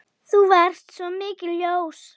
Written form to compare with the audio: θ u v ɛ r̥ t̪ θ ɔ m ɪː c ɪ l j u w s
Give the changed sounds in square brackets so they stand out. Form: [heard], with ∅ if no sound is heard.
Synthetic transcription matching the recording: θ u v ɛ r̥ t̪ [s] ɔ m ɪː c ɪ l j [o] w s